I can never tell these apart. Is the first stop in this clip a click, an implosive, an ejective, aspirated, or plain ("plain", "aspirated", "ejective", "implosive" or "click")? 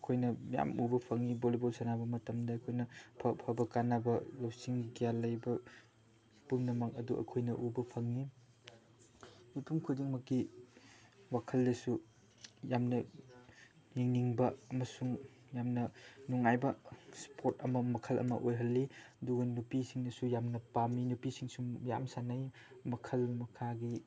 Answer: aspirated